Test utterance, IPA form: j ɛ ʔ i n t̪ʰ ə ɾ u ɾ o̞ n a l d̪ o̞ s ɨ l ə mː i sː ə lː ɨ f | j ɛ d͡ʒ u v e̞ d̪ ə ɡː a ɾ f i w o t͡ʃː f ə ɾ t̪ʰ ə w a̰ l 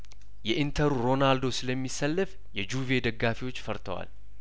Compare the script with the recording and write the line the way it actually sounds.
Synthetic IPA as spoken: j ɛ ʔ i n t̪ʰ ə ɾ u ɾ o̞ n a l d̪ o̞ s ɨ l ə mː i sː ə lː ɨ f | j ɛ d͡ʒ u v e̞ d̪ ə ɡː a f i w o t͡ʃː f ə ɾ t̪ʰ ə w a̰ l